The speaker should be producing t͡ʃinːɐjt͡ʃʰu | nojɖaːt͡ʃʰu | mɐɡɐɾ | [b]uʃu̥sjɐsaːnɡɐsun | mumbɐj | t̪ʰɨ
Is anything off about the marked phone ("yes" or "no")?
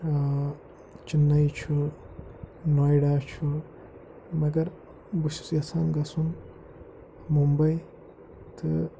no